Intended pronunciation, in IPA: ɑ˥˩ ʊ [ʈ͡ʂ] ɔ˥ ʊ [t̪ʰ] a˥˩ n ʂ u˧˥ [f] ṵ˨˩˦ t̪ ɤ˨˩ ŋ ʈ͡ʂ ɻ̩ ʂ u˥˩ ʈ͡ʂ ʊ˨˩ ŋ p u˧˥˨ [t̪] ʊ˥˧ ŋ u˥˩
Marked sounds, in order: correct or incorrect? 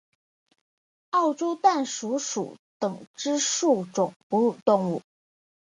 correct, incorrect, incorrect, correct

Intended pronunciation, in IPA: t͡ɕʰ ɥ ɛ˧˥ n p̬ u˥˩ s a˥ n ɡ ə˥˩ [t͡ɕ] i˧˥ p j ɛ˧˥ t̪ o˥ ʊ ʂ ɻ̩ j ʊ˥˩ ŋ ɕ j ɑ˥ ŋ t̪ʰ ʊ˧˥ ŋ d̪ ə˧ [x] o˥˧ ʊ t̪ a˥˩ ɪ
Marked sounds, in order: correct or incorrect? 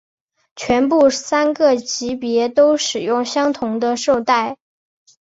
correct, incorrect

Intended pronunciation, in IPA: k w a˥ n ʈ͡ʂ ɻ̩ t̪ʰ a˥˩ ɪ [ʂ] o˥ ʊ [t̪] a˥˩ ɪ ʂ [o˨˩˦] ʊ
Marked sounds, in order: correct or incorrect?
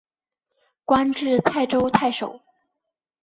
incorrect, incorrect, correct

